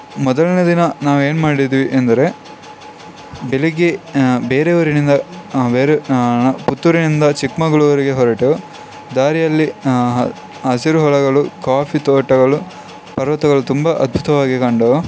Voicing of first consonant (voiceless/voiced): voiced